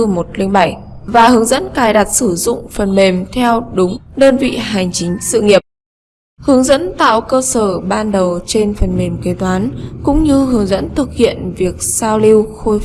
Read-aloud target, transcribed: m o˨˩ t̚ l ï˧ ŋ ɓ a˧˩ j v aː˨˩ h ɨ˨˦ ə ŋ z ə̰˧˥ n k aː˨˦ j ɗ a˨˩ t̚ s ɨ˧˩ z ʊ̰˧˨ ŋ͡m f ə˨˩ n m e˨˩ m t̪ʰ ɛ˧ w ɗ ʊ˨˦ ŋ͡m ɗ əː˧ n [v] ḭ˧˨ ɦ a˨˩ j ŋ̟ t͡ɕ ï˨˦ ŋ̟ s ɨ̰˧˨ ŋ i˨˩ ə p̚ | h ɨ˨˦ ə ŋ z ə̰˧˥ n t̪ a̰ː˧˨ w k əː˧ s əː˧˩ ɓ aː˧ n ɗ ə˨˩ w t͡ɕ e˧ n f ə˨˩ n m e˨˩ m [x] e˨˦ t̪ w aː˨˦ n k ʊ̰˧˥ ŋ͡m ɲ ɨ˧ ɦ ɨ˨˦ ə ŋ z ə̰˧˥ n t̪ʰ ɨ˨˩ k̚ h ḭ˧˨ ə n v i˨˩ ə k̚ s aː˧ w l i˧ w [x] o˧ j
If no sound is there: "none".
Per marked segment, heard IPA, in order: v, k, x

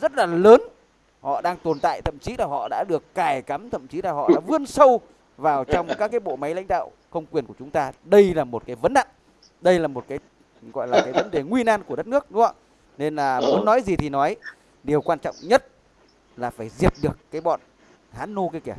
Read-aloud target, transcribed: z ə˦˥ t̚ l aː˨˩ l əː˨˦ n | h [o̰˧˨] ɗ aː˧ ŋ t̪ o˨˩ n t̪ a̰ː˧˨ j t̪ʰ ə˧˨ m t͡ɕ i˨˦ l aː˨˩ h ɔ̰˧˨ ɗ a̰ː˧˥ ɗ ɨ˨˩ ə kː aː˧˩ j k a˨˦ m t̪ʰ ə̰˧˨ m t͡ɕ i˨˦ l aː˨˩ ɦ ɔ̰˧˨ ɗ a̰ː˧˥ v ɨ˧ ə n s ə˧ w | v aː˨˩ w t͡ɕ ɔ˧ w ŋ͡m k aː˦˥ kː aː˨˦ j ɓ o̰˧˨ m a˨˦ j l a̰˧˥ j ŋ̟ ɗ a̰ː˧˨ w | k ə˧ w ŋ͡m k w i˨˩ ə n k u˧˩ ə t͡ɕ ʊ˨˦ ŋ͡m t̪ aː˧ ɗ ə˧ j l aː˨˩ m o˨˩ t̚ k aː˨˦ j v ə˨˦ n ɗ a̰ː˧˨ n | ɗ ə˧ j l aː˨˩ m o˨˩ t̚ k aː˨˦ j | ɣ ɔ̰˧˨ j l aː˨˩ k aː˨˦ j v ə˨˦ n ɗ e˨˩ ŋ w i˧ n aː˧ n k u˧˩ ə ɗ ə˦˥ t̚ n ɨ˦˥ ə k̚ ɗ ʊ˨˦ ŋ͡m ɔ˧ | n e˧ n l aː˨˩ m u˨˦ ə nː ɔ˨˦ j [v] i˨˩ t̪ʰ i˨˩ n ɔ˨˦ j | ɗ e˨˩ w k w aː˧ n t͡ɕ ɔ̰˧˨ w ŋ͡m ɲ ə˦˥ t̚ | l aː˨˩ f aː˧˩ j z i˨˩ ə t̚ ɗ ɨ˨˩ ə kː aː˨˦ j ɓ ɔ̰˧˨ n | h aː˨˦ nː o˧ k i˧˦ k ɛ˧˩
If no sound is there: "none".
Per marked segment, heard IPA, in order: ɔ̰˧˨, z

